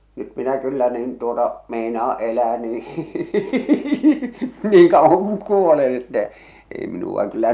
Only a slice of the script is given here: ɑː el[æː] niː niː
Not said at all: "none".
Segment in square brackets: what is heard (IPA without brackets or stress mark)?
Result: æː